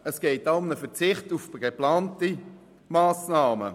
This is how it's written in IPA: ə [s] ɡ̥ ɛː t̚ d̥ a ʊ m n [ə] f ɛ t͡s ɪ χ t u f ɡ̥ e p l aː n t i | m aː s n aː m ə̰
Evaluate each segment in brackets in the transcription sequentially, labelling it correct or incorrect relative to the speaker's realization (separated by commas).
correct, correct